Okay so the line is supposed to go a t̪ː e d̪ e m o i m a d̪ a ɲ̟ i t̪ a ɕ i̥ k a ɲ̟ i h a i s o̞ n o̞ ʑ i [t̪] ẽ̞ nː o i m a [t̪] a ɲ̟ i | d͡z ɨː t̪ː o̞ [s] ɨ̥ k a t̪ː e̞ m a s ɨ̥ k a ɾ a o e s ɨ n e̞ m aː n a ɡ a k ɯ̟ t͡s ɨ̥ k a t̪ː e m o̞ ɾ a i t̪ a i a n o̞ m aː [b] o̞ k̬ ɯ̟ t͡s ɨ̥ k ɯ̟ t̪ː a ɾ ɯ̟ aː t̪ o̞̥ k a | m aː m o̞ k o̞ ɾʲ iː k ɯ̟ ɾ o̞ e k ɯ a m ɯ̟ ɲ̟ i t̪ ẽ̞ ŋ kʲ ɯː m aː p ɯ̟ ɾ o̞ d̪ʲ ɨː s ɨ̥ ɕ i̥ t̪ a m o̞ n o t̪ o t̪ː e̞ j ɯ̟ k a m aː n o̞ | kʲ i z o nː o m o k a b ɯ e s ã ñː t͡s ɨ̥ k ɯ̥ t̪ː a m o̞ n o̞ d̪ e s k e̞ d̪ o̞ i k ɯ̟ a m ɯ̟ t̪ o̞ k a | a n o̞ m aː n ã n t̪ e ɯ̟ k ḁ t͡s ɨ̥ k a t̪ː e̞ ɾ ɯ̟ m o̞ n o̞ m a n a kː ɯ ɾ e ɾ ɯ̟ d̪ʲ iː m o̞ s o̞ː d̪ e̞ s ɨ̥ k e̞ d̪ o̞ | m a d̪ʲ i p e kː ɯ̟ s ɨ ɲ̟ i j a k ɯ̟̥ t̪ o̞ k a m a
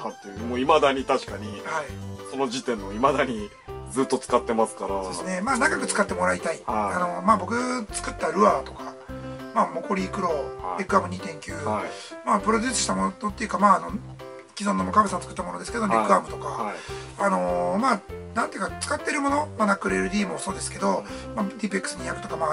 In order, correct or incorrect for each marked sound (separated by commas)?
correct, incorrect, incorrect, correct